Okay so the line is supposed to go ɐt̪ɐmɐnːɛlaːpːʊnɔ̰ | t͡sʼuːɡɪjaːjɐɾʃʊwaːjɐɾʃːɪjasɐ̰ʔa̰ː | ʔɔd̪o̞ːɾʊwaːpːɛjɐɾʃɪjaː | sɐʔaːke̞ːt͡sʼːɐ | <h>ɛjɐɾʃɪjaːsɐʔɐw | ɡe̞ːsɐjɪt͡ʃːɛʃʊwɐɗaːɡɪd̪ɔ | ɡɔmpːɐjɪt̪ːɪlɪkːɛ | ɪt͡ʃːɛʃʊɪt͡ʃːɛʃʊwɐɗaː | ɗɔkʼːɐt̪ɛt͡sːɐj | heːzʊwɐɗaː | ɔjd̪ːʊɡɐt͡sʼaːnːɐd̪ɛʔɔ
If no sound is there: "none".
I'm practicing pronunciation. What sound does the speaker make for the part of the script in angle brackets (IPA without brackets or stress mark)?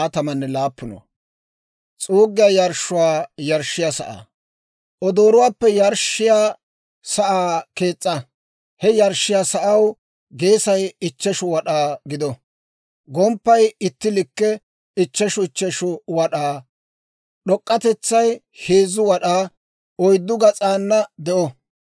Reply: h